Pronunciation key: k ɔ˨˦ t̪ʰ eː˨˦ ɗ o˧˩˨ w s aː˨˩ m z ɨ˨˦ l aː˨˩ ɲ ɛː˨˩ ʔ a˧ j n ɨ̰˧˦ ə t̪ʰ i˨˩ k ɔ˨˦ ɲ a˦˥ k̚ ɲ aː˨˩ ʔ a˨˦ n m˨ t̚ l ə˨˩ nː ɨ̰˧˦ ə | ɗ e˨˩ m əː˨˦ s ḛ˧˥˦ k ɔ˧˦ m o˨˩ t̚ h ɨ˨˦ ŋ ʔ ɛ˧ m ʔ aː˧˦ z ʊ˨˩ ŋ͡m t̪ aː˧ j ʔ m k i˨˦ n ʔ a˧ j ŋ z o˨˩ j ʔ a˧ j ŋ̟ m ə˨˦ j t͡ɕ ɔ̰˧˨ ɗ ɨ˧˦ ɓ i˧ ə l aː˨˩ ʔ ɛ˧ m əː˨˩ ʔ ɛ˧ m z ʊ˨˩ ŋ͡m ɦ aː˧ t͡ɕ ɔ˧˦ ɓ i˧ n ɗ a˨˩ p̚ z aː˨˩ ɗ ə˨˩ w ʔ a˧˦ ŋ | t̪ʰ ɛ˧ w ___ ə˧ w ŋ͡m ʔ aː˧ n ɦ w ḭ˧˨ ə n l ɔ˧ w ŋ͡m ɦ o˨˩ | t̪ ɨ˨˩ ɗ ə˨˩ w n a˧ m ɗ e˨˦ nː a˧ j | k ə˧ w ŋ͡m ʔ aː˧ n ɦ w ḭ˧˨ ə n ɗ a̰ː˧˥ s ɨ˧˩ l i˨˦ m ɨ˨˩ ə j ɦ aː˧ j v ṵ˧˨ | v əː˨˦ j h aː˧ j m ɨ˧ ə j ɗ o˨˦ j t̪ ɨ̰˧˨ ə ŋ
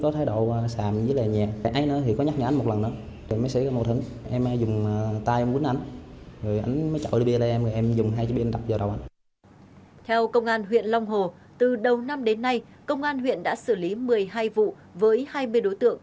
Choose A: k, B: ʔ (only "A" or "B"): A